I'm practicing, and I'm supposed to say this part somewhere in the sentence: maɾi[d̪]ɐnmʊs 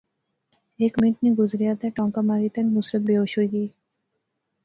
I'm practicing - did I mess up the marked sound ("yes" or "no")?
yes